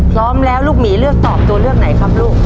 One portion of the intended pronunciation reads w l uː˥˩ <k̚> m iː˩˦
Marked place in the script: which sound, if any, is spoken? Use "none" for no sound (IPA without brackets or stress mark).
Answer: k̚